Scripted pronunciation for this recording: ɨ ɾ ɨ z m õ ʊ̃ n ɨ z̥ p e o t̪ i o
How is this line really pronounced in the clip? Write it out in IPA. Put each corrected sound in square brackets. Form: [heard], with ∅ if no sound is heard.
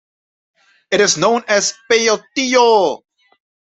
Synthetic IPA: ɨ ɾ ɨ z [n] õ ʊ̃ n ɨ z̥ p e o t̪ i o